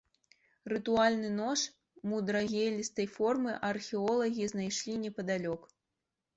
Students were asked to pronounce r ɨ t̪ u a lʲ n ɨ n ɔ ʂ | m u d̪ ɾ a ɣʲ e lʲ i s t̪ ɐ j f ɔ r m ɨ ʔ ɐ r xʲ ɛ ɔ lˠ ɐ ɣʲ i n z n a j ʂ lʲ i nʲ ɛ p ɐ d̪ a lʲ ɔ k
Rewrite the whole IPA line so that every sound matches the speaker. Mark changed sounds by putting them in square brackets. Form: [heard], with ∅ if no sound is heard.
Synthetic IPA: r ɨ t̪ u a lʲ n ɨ n ɔ ʂ | m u d̪ ɾ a ɣʲ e lʲ i s t̪ ɐ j f ɔ r m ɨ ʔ ɐ r xʲ ɛ ɔ lˠ ɐ ɣʲ i [∅] z n a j ʂ lʲ i nʲ ɛ p ɐ d̪ a lʲ ɔ k